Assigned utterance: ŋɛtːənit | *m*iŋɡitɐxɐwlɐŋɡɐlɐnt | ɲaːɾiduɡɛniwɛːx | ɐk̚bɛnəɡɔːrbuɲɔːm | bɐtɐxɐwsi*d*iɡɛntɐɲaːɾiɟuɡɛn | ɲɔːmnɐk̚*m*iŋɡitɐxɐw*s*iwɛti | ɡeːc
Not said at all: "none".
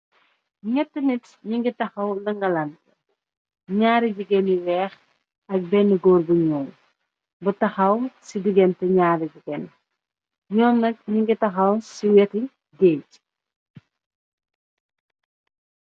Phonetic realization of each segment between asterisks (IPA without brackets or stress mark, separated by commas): ɲ, d, ɲ, s